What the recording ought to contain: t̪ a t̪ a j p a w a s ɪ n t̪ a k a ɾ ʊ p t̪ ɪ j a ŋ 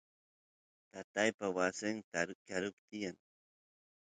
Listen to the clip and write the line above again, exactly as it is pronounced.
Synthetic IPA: t̪ a t̪ a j p a w a s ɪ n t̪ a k a ɾ ʊ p t̪ ɪ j a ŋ

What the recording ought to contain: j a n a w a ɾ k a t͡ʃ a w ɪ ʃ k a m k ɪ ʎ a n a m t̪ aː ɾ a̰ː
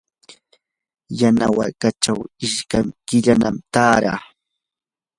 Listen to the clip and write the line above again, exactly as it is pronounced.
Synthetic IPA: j a n a w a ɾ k a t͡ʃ a w ɪ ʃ k a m k ɪ ʎ a n a m t̪ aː ɾ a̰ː

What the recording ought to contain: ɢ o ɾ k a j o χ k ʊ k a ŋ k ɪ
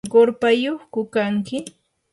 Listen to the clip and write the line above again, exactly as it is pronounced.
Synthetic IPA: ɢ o ɾ p a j o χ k ʊ k a ŋ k ɪ

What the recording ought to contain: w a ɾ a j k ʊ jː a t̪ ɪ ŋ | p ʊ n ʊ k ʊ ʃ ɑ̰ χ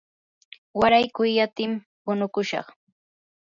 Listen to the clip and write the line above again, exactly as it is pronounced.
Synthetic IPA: w a ɾ a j k ʊ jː a t̪ ɪ m | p ʊ n ʊ k ʊ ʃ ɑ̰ χ

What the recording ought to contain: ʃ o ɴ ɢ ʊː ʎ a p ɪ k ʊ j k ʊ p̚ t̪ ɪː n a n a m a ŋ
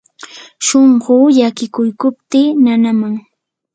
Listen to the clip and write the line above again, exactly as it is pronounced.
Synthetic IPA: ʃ o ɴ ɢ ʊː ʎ a k ɪ k ʊ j k ʊ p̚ t̪ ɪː n a n a m a ŋ

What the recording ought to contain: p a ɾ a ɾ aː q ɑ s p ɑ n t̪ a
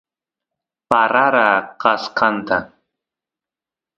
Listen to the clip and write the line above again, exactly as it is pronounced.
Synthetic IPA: p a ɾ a ɾ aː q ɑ s q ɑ n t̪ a

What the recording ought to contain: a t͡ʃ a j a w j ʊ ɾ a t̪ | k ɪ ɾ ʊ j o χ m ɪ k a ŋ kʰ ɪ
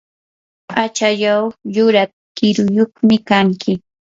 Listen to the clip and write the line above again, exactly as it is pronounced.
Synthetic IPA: a t͡ʃ a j a w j ʊ ɾ a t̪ | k ɪ ɾ ʊ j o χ m ɪ k a ŋ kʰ ɪ

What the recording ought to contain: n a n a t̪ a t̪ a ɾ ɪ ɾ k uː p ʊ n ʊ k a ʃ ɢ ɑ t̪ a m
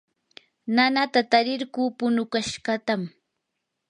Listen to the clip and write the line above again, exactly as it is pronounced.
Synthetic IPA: n a n a t̪ a t̪ a ɾ ɪ ɾ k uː p ʊ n ʊ k a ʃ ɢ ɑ t̪ a m

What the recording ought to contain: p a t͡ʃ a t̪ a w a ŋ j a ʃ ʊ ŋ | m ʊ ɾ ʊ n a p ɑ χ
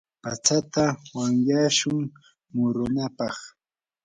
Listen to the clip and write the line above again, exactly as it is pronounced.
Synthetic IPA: p a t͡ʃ a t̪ a w a ŋ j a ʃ ʊ ŋ | m ʊ ɾ ʊ n a p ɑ χ

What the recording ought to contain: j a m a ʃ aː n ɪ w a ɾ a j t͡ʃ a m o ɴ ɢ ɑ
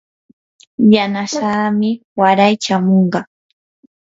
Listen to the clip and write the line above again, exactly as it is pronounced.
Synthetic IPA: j a n a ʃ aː m ɪ w a ɾ a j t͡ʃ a m o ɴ ɢ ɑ

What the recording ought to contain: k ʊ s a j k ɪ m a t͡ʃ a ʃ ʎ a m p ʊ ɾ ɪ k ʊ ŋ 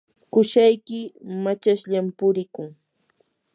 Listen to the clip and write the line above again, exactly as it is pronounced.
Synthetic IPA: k ʊ ʃ a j k ɪ m a t͡ʃ a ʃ ʎ a m p ʊ ɾ ɪ k ʊ ŋ

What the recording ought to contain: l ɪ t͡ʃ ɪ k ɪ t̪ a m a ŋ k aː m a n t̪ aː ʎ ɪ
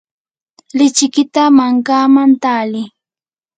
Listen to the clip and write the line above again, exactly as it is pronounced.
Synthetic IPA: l ɪ t͡ʃ ɪ k ɪ t̪ a m a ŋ k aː m a n t̪ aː l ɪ

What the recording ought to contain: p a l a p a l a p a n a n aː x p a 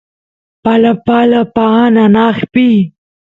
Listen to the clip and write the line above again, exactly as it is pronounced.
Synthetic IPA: p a l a p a l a p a n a n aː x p i

